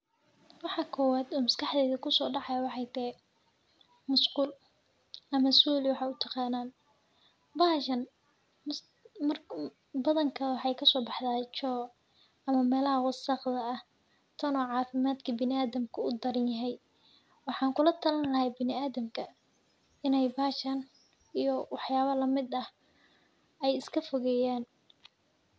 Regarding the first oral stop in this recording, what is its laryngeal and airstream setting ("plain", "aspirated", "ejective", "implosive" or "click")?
aspirated